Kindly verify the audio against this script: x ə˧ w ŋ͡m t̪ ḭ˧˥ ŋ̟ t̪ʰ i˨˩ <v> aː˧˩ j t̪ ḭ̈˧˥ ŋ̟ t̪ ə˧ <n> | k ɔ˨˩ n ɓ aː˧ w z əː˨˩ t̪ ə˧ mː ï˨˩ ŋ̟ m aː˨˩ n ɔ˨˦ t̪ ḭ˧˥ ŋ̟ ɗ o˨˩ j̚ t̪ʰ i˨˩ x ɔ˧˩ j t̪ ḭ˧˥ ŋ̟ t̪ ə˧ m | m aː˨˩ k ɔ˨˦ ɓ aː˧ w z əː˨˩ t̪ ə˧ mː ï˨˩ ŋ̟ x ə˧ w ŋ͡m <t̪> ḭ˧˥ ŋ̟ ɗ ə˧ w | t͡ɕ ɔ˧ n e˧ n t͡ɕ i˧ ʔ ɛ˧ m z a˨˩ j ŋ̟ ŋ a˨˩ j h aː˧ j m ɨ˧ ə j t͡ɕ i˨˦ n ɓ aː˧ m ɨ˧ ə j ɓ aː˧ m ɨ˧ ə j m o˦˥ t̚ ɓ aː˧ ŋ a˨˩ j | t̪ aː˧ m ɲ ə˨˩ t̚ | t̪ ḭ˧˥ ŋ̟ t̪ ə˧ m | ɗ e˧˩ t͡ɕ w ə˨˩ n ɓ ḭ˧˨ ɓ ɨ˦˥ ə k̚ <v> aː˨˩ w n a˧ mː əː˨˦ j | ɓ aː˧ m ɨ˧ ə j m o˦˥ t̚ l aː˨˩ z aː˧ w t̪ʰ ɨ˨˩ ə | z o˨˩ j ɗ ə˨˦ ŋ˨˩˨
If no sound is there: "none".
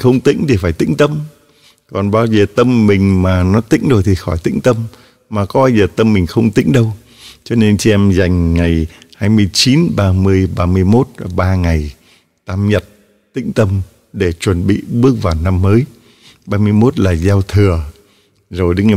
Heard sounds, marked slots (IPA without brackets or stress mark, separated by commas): f, m, t̪, v